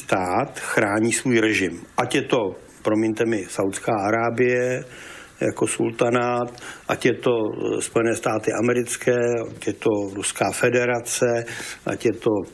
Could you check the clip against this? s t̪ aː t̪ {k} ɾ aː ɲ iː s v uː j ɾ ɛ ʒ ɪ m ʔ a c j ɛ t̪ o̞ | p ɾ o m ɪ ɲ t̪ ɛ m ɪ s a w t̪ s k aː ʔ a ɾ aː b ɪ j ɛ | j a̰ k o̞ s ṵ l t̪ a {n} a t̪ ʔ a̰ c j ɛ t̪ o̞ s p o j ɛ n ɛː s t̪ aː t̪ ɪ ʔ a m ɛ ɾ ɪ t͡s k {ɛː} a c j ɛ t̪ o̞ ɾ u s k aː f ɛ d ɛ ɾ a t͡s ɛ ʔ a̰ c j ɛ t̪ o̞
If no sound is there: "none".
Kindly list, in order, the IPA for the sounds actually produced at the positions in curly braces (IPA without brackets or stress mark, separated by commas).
x, n, ɛː